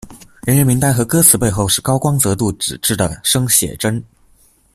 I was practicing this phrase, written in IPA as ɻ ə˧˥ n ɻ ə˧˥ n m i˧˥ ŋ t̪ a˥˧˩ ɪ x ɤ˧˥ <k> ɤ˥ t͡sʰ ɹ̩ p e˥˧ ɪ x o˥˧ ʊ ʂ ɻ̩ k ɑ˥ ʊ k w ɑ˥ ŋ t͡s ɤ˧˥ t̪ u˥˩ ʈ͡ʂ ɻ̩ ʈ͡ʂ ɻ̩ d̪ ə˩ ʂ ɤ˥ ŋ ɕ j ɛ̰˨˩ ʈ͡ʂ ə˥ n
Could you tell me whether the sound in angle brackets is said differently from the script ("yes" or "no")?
no